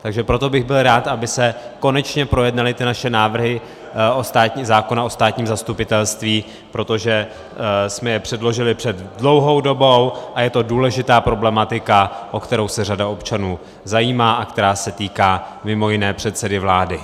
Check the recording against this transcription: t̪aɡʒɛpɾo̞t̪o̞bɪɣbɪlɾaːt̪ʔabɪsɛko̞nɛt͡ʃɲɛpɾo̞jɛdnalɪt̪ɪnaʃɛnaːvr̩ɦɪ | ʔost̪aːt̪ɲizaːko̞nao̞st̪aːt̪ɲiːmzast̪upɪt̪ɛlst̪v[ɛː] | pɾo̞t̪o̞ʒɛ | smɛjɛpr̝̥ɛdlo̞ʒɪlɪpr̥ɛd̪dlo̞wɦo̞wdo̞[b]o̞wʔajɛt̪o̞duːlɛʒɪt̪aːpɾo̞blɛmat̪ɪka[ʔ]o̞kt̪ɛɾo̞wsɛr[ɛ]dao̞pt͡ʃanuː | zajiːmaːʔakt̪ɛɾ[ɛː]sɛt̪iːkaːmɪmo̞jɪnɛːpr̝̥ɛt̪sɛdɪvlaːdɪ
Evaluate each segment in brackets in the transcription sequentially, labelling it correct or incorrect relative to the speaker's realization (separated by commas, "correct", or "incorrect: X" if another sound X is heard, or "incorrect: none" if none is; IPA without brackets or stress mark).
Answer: incorrect: iː, correct, correct, incorrect: a, incorrect: aː